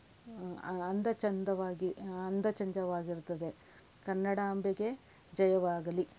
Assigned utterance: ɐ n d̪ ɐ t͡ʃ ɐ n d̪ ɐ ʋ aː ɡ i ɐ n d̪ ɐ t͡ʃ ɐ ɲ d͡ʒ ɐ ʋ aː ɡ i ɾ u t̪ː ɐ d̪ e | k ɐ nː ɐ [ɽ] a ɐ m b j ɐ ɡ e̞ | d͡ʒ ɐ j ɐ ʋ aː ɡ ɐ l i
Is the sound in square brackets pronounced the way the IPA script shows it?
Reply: yes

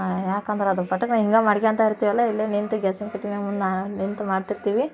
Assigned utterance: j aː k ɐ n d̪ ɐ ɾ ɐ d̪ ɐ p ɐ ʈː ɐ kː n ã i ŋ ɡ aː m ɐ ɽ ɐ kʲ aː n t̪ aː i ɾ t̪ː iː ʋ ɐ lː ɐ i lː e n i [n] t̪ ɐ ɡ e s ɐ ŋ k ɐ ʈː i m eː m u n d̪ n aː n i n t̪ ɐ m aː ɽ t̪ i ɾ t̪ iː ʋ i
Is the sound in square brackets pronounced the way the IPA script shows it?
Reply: yes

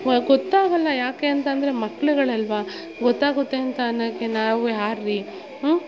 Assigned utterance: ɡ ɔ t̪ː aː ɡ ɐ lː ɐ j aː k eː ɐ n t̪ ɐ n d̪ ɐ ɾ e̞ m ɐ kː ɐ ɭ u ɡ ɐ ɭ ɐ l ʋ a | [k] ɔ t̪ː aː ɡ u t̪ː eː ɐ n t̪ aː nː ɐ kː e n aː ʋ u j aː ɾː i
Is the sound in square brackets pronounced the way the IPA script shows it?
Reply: no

